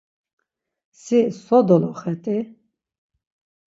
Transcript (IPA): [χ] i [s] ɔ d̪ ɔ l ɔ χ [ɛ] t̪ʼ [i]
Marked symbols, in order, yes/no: no, yes, yes, yes

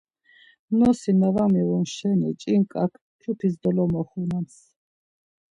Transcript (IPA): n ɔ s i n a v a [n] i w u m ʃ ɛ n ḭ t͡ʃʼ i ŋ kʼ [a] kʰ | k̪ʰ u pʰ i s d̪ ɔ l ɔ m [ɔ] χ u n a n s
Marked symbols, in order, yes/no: no, yes, yes

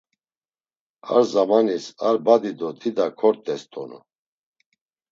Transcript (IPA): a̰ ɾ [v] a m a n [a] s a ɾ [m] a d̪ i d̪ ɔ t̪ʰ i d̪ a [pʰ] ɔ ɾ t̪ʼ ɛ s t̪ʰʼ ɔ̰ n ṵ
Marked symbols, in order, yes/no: no, no, no, no

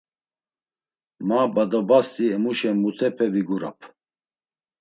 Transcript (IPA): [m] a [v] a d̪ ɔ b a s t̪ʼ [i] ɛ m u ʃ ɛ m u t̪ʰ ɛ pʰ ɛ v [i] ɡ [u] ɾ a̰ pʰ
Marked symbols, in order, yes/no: yes, no, yes, yes, yes

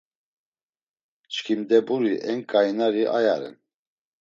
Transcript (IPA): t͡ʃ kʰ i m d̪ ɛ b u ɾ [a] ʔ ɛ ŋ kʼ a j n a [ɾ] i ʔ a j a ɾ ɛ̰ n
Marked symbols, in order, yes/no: no, yes

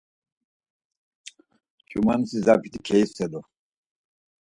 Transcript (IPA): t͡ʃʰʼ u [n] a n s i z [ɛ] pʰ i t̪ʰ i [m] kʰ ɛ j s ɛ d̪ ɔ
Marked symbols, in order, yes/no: no, no, no

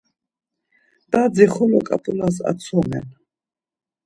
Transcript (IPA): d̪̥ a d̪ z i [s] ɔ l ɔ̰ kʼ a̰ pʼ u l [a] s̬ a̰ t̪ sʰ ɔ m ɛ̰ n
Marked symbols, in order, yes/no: no, yes

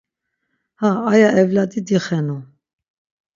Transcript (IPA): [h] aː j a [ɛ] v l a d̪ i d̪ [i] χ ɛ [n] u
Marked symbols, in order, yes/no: yes, yes, yes, yes

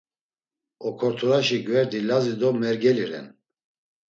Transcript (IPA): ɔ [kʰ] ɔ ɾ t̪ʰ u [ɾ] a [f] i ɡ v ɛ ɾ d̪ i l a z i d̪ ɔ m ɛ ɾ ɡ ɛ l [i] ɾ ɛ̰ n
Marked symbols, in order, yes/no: yes, yes, no, yes

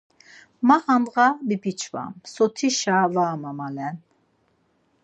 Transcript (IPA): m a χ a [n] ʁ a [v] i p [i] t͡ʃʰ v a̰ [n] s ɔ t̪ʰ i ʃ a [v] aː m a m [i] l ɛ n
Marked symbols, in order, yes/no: yes, no, yes, no, yes, no

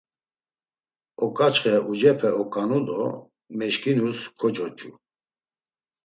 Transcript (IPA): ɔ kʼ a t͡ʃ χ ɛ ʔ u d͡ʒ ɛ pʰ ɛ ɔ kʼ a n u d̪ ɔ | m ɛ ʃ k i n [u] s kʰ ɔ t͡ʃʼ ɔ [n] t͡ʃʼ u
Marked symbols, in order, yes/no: yes, no

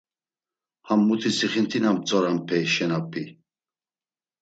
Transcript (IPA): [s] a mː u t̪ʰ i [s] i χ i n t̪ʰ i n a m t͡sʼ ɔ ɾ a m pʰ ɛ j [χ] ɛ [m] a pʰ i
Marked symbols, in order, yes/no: no, yes, no, no

